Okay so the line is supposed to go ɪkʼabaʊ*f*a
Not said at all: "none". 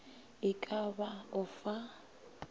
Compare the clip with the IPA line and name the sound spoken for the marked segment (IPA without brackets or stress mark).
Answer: f